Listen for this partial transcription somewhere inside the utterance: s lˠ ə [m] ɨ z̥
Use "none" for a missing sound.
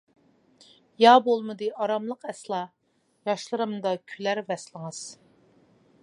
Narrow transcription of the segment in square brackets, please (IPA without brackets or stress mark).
ŋ